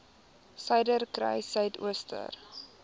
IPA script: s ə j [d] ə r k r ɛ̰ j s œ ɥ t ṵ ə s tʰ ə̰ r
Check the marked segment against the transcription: correct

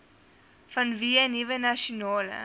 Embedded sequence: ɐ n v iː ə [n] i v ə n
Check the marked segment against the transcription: correct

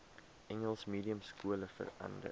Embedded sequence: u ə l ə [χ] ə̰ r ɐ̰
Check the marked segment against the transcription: incorrect: f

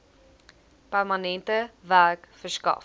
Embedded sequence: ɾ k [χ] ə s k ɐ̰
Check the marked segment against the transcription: incorrect: f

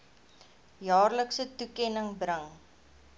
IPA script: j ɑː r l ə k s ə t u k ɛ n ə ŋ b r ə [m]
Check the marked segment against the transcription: incorrect: ŋ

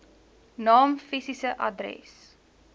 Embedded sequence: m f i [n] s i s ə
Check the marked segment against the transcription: incorrect: none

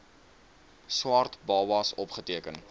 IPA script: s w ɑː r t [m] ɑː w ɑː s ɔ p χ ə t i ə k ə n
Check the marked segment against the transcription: incorrect: b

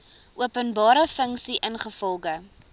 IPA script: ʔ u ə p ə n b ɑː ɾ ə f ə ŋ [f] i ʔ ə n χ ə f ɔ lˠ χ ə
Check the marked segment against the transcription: incorrect: s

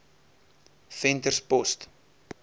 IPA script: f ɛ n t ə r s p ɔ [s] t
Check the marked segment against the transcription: correct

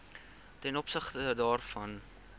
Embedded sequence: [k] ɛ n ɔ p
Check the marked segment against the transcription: incorrect: t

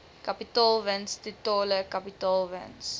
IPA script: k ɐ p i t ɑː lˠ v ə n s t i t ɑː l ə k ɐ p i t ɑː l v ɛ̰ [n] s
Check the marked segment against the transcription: correct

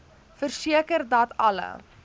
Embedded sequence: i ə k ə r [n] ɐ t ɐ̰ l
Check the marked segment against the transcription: incorrect: d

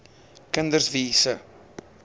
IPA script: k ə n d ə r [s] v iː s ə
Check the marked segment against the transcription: correct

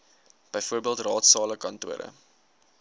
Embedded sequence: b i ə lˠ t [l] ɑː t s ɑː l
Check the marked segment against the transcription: incorrect: r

